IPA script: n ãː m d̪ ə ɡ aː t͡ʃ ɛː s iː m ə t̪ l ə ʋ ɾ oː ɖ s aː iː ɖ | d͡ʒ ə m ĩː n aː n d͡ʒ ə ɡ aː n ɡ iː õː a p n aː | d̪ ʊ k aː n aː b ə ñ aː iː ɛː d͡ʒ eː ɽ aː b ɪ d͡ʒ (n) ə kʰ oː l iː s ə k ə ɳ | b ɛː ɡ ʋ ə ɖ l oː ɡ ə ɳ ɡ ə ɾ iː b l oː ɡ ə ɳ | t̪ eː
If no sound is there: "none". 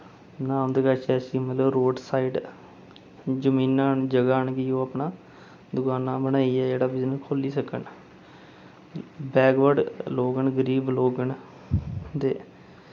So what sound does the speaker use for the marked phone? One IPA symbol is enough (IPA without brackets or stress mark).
n